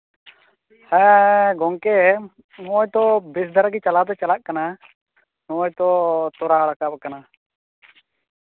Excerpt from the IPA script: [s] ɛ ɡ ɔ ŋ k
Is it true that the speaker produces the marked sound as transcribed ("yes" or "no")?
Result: no